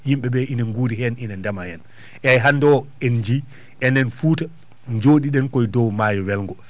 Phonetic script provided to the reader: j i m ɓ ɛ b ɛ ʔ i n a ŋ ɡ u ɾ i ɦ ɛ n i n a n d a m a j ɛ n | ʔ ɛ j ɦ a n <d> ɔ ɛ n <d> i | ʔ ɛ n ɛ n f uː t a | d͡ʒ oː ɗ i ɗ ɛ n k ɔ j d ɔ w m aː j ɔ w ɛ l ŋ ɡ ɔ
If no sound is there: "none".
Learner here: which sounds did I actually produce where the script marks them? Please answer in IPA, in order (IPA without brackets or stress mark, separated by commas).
d, d͡ʒ